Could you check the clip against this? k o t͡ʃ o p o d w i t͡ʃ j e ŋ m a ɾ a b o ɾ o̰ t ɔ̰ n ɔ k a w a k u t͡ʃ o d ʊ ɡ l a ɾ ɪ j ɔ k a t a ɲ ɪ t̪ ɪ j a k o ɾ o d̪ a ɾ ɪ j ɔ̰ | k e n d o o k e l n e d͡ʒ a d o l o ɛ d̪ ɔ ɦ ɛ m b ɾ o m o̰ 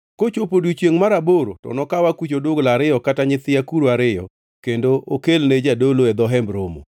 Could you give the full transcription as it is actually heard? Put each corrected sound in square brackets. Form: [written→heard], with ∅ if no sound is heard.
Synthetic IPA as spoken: k o t͡ʃ o p o d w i t͡ʃ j e ŋ m a ɾ a b o ɾ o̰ t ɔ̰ n ɔ k a w a k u t͡ʃ o d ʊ ɡ l a ɾ ɪ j ɔ k a t a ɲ ɪ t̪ ɪ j a k [o→u] ɾ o [d̪→∅] a ɾ ɪ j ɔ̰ | k e n d o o k e l n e d͡ʒ a d o l o ɛ d̪ ɔ ɦ ɛ m b ɾ o m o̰